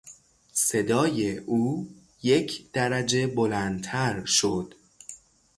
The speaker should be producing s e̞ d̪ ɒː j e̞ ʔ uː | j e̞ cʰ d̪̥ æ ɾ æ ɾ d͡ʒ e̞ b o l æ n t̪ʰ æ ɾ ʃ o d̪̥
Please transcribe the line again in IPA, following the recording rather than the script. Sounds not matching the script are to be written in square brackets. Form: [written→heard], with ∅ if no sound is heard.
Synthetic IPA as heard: s e̞ d̪ ɒː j e̞ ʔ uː | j e̞ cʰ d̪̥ æ ɾ æ [ɾ→∅] d͡ʒ e̞ b o l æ n t̪ʰ æ ɾ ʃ o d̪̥